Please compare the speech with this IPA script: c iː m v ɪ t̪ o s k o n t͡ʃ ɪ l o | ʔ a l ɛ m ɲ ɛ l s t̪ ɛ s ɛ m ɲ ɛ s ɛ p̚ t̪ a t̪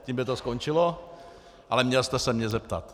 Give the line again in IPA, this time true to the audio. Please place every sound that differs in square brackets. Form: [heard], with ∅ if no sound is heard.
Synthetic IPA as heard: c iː m [b] ɪ t̪ o s k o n t͡ʃ ɪ l o | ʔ a l ɛ m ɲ ɛ l s t̪ ɛ s ɛ m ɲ ɛ [z] ɛ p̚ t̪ a t̪